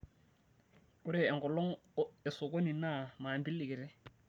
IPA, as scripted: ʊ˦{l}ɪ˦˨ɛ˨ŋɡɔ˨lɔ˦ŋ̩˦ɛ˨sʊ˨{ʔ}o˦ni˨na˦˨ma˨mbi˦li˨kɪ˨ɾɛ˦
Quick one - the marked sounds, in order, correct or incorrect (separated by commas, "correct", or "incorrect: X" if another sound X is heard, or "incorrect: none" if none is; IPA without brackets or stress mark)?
incorrect: ɾ, incorrect: k